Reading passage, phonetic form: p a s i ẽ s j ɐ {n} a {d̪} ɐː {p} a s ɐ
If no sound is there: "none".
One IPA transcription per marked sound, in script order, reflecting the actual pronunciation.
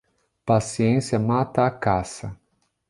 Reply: m, t̪, k

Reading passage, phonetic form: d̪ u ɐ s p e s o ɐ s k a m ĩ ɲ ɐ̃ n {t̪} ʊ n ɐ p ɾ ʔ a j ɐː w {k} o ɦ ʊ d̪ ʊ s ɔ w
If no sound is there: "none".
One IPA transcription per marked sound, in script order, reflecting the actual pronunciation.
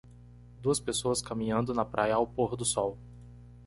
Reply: d̪, p

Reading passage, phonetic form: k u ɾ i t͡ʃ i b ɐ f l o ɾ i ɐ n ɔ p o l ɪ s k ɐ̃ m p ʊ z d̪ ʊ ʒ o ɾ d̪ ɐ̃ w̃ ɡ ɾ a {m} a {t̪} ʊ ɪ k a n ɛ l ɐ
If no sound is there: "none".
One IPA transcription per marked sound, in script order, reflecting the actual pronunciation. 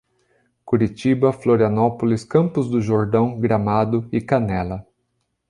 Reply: m, d̪

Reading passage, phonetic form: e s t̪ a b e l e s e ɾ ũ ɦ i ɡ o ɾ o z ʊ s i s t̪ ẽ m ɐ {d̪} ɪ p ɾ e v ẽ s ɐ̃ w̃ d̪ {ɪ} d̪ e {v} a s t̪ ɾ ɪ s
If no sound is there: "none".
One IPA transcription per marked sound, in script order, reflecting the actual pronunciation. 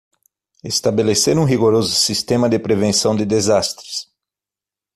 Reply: d̪, ɪ, z

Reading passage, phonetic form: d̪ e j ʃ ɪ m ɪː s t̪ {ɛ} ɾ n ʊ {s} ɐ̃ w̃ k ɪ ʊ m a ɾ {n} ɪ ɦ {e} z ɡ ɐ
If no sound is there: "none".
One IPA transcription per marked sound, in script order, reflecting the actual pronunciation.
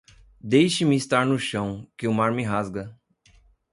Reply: a, ʃ, m, a

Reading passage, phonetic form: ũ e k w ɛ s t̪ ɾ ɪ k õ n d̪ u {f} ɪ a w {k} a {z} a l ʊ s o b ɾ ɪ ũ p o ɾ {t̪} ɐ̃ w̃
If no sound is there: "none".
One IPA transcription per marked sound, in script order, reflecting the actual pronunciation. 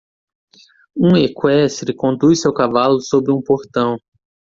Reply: s, k, v, t̪

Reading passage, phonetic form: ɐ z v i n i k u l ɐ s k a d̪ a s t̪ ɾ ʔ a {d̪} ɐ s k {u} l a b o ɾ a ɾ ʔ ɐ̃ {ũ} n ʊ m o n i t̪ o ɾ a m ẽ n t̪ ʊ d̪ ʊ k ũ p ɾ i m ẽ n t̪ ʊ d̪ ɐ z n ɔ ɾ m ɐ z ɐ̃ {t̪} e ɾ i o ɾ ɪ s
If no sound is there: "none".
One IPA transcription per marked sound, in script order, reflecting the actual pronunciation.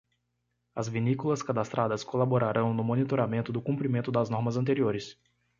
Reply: d̪, o, w̃, t̪

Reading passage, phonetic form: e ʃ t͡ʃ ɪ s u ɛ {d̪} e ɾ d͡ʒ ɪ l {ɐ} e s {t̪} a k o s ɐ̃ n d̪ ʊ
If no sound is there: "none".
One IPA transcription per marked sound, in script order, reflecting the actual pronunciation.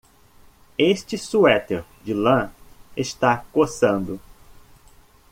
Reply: t̪, ɐ̃, t̪

